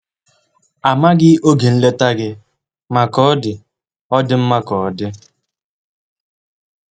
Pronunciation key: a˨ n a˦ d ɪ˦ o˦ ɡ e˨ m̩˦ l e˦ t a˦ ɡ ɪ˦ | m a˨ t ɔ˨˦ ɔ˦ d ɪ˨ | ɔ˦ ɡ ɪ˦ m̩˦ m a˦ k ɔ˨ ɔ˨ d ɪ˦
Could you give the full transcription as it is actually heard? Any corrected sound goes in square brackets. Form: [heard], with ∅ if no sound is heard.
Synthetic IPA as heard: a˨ [m] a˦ [ɡ] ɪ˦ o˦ ɡ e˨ [n̩˦] l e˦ t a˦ ɡ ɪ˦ | m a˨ [k] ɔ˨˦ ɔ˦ d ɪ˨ | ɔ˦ [d] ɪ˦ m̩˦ m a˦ k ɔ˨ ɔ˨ d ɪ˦